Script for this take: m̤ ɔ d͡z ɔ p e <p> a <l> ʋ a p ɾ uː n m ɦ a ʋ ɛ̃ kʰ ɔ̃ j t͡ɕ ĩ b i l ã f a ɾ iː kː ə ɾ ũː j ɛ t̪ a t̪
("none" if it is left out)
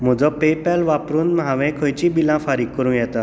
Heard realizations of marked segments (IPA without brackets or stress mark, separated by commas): p, l